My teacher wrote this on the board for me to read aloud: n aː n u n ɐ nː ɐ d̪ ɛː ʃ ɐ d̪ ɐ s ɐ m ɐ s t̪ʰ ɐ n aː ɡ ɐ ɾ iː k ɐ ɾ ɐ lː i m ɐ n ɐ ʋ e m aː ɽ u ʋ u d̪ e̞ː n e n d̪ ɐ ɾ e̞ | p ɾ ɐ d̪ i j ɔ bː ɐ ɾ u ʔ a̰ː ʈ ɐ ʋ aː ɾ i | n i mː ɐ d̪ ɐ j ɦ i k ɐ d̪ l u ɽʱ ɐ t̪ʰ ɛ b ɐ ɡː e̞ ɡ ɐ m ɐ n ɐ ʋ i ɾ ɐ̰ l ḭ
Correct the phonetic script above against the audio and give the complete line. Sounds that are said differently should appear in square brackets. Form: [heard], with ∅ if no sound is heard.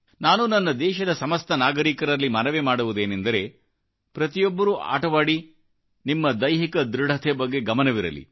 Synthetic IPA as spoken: n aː n u n ɐ nː ɐ d̪ ɛː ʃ ɐ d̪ ɐ s ɐ m ɐ s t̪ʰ ɐ n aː ɡ ɐ ɾ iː k ɐ ɾ ɐ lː i m ɐ n ɐ ʋ e m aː ɽ u ʋ u d̪ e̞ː n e n d̪ ɐ ɾ e̞ | p ɾ ɐ [t̪] i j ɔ bː ɐ ɾ u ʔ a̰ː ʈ ɐ ʋ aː [ɽ] i | n i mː ɐ d̪ ɐ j ɦ i k ɐ d̪ [ɾ] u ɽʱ ɐ t̪ʰ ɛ b ɐ ɡː e̞ ɡ ɐ m ɐ n ɐ ʋ i ɾ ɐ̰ l ḭ